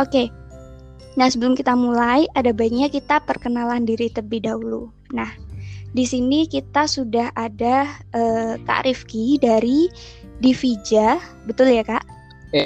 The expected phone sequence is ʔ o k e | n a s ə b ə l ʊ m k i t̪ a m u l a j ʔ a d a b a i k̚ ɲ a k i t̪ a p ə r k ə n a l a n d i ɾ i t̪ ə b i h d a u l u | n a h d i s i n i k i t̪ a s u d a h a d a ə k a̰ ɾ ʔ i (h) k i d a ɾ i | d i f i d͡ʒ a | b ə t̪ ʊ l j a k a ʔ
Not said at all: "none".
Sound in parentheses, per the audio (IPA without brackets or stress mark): f